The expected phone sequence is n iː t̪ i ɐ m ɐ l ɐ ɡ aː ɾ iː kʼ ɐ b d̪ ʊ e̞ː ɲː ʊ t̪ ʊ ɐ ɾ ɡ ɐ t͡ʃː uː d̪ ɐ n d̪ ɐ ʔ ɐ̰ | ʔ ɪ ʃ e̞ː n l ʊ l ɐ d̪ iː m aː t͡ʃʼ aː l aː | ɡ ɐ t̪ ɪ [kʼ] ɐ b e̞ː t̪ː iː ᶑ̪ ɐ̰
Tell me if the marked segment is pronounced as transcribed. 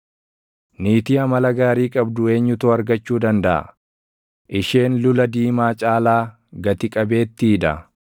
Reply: yes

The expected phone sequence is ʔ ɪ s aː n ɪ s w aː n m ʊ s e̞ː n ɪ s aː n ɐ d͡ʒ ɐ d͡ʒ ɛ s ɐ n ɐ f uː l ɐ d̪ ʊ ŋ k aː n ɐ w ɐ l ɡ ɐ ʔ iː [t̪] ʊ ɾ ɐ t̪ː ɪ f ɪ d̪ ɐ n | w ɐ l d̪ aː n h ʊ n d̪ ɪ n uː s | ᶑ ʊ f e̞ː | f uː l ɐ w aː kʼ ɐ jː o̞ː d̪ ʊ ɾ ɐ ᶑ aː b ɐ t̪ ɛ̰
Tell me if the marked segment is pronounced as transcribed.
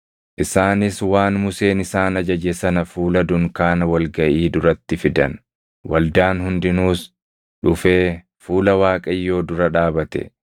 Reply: no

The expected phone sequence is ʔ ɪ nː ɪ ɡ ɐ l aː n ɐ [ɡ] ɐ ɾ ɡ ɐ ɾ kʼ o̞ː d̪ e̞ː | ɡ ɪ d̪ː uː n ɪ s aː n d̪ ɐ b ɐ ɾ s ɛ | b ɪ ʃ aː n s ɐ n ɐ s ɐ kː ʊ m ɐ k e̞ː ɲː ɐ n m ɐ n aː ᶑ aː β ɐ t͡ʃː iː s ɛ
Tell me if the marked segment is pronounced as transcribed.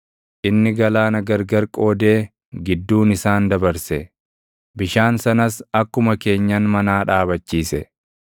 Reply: yes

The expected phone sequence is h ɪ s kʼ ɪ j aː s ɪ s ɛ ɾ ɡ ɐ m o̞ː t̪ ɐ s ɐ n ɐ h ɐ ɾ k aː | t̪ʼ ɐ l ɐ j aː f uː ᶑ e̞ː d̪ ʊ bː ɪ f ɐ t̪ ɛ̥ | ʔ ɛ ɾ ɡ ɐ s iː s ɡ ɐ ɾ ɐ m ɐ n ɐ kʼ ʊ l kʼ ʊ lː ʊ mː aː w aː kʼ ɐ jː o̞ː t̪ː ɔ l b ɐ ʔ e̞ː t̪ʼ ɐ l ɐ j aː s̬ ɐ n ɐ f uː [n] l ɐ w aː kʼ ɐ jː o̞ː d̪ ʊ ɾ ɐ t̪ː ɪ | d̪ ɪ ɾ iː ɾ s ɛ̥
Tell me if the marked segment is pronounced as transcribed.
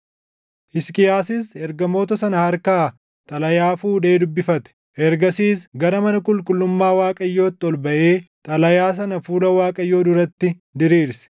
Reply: no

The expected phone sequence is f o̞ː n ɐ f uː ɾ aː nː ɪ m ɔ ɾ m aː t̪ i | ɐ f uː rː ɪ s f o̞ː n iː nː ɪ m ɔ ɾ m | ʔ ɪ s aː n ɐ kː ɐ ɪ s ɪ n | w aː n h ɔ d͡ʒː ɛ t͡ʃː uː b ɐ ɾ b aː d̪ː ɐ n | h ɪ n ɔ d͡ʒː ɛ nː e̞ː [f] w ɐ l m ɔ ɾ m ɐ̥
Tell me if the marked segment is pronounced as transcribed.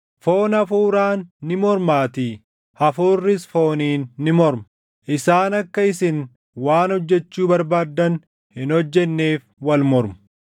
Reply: yes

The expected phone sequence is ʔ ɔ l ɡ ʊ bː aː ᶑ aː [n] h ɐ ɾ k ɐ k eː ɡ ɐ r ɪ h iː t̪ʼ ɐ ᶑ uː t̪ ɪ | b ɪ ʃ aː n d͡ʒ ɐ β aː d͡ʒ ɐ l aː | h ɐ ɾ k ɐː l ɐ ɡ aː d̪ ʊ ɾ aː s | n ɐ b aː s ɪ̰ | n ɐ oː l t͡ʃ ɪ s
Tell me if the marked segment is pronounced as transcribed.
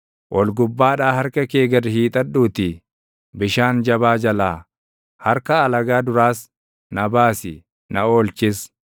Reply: no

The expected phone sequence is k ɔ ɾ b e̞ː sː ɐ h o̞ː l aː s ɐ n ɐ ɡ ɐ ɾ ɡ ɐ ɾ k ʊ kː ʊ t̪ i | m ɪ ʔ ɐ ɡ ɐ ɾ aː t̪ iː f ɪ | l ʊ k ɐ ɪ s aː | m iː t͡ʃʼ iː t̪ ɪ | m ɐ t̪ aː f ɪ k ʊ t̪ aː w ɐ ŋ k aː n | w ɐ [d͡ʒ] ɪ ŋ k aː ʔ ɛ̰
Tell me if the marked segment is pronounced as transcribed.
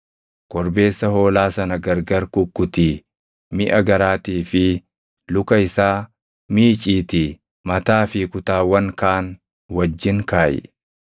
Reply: no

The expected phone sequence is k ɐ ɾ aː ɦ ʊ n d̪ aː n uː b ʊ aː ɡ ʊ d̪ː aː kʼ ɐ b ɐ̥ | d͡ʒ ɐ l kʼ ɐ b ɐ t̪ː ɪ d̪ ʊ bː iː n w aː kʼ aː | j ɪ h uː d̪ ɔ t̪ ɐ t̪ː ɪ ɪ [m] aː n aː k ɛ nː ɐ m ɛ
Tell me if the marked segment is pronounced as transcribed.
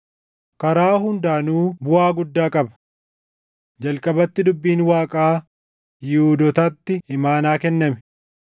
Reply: yes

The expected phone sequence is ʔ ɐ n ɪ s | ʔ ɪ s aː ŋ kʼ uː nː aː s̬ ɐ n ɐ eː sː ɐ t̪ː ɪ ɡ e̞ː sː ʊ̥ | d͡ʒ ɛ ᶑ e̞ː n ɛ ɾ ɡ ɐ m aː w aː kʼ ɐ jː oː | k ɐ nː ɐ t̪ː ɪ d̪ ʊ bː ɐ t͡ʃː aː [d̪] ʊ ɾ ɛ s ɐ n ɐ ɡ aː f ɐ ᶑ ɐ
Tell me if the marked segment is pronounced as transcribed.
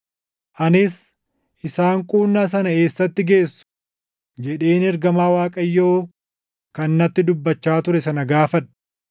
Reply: no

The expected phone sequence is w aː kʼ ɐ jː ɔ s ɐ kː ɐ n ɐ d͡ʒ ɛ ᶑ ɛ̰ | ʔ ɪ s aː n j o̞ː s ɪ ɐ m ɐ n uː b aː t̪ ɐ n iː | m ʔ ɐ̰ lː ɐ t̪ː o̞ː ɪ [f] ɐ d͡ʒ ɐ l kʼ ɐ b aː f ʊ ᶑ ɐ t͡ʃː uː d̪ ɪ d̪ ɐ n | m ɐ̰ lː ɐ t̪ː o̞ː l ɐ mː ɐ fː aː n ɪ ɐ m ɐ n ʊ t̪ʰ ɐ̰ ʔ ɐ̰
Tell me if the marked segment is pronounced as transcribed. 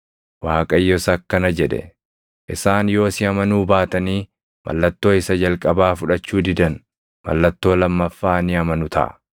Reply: no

